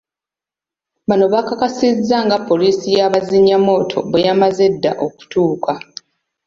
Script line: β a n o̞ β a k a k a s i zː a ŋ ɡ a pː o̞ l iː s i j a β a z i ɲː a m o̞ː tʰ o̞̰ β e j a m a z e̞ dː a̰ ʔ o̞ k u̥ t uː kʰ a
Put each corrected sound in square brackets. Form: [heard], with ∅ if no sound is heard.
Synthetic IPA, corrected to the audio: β a n o̞ β a k a k a s i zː a ŋ ɡ a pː o̞ l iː s i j a β a z i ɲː a m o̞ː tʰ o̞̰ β e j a m a z e̞ dː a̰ ʔ o̞ k u̥ t uː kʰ a